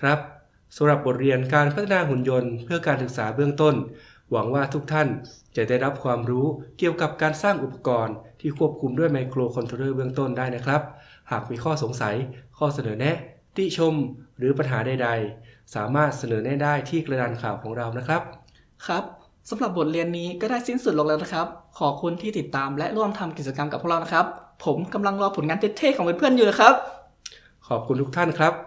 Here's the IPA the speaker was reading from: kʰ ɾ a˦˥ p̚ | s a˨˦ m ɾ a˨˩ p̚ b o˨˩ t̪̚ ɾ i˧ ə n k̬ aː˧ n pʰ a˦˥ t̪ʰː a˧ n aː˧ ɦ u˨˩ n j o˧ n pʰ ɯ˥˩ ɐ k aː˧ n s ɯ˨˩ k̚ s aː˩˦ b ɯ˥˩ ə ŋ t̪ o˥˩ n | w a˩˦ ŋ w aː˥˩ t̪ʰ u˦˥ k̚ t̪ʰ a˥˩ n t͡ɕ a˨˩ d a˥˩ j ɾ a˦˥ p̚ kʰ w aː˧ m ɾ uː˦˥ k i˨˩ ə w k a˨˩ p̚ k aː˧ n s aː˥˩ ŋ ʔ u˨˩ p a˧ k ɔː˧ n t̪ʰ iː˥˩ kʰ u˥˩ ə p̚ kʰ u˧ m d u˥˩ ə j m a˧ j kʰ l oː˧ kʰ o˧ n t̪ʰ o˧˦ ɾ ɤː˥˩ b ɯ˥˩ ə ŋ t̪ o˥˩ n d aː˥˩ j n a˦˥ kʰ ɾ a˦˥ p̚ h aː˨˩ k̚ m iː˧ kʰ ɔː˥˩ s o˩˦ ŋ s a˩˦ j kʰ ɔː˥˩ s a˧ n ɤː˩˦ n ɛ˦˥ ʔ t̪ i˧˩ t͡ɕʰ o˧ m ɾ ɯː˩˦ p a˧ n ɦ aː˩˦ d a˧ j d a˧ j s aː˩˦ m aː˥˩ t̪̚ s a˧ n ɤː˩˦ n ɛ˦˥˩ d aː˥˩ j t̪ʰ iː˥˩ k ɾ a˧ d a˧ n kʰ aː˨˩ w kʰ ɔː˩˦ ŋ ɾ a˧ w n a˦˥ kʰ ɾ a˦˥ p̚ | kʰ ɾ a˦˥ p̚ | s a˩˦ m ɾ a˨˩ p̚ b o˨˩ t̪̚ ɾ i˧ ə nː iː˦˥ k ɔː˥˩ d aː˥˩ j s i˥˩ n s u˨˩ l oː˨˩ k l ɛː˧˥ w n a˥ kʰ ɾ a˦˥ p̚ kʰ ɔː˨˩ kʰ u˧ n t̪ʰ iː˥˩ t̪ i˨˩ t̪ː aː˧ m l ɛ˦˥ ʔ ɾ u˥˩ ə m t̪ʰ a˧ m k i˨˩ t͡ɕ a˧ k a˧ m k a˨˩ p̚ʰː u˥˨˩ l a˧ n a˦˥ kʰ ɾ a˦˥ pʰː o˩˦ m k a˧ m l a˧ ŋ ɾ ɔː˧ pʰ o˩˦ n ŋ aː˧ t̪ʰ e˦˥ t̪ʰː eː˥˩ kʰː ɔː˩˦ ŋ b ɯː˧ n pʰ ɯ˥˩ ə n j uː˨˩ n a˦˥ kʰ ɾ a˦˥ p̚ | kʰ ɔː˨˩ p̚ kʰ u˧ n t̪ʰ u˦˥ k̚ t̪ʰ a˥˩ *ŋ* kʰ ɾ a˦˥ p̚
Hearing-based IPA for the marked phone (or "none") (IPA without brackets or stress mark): n